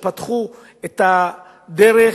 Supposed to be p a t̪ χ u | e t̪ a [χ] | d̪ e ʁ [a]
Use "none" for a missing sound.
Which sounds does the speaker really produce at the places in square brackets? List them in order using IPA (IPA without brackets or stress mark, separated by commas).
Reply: none, e